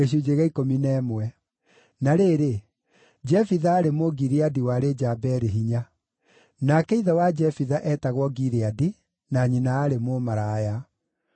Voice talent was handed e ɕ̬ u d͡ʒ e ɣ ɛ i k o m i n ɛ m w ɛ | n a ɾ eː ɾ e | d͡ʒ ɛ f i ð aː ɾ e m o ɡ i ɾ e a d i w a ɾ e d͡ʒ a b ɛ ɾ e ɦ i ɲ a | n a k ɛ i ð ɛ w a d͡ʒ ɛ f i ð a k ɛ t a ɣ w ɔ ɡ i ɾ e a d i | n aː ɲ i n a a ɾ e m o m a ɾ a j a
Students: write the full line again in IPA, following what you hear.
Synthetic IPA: e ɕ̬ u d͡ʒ e ɣ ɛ i k o m i n ɛ m w ɛ | n a ɾ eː ɾ e | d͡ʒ ɛ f i ð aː ɾ e m o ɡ i ɾ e a d i w a ɾ e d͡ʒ a b ɛ ɾ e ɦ i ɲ a | n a k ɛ i ð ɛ w a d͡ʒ ɛ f i ð a ʔ ɛ t a ɣ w ɔ ɡ i ɾ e a d i | n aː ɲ i n a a ɾ e m o m a ɾ a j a